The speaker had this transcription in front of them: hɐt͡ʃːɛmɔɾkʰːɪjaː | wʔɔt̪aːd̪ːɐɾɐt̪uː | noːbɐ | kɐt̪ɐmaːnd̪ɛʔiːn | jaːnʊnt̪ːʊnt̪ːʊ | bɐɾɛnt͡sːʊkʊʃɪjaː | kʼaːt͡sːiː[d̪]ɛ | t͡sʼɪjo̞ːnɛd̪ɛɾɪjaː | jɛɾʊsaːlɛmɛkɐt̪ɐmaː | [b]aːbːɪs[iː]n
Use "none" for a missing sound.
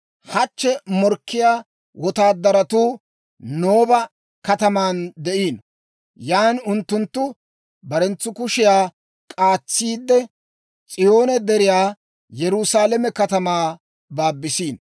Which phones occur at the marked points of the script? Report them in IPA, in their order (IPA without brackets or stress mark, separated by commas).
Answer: d̪ː, b, iː